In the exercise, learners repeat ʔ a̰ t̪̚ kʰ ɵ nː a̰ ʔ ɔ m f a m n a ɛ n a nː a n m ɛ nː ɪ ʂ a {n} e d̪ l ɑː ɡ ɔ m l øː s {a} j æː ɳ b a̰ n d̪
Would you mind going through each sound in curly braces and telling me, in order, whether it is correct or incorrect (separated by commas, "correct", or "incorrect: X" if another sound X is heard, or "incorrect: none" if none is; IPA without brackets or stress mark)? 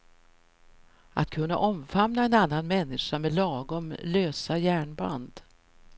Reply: incorrect: m, correct